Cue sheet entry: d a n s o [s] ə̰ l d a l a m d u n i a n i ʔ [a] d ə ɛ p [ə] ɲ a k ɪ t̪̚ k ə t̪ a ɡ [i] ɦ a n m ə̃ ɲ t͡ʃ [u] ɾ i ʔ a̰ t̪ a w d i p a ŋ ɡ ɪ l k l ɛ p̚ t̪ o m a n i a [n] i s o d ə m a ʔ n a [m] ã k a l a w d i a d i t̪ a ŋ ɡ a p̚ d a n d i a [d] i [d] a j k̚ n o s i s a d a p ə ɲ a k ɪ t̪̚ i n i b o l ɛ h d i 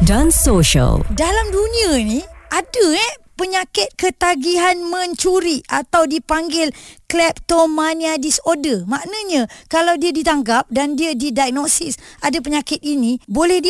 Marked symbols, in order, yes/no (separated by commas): no, yes, yes, yes, yes, no, no, yes, yes